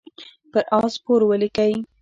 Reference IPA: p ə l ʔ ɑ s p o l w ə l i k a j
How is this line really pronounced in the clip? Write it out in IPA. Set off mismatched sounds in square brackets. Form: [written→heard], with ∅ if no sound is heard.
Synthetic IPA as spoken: p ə [l→ɾ] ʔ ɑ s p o [l→ɾ] w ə l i k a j